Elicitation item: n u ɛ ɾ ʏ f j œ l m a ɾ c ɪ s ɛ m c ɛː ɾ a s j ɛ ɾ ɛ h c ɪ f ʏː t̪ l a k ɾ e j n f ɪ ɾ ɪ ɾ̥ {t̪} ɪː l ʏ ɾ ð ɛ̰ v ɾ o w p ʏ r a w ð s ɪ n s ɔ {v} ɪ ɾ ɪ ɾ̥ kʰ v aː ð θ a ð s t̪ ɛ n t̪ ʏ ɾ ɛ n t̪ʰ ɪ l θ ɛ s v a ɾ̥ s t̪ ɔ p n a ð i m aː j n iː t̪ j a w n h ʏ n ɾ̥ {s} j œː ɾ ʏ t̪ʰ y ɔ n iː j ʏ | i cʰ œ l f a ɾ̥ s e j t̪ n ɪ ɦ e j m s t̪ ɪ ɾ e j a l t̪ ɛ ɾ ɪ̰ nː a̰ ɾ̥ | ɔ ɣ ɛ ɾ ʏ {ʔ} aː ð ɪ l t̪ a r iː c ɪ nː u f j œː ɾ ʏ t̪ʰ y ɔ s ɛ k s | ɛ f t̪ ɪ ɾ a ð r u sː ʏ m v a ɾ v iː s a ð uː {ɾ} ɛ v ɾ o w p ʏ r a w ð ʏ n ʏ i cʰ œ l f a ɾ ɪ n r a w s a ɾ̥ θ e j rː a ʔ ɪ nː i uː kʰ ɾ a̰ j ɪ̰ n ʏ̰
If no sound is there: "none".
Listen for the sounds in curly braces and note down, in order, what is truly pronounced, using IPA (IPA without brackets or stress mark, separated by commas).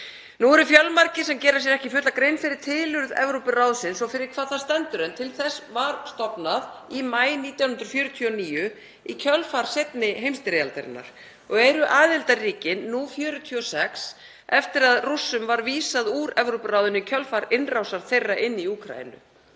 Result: t̪ʰ, f, f, ʔ, ɾ